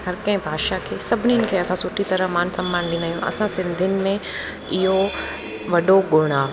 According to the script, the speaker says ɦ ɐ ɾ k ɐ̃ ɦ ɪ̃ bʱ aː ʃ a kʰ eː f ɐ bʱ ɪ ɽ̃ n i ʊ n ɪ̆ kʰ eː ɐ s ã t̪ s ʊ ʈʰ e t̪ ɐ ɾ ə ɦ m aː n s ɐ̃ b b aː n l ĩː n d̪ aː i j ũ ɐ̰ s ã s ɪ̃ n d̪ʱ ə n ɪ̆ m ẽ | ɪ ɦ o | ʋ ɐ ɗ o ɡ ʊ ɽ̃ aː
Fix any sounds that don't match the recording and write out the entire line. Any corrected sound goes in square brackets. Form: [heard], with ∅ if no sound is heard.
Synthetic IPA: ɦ ɐ ɾ k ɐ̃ ɦ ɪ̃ bʱ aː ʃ a kʰ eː [s] ɐ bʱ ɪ [∅] n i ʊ n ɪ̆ kʰ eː ɐ s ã [∅] s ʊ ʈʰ [i] t̪ ɐ ɾ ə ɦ m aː n s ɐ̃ [m] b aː n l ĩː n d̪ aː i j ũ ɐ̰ s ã s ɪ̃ n d̪ʱ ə n ɪ̆ m ẽ | ɪ ɦ o | ʋ ɐ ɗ o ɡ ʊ ɽ̃ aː